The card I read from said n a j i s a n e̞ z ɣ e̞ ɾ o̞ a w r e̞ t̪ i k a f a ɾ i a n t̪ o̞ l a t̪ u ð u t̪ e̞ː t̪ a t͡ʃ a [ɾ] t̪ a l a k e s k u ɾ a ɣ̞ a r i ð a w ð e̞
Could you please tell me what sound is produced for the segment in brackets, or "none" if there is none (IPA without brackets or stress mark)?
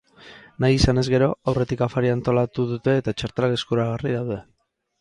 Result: ɾ